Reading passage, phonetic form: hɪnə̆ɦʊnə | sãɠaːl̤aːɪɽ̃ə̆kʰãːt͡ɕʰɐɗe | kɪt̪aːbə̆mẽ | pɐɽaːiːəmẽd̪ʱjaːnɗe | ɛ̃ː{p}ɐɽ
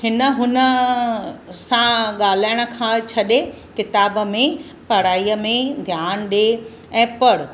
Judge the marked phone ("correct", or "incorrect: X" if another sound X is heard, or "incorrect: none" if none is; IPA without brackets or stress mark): correct